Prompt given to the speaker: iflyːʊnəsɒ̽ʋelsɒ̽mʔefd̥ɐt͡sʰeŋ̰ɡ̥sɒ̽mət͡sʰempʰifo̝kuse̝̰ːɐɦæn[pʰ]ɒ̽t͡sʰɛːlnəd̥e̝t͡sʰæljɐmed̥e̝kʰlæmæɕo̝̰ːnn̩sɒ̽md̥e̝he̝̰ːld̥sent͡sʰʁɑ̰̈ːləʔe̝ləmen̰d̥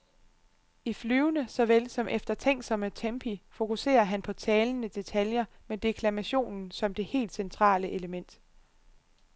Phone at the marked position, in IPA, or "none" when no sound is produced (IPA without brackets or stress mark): pʰ